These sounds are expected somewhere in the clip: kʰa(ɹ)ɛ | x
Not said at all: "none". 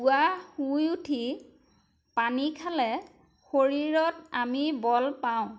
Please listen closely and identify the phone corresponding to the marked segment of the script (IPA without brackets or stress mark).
l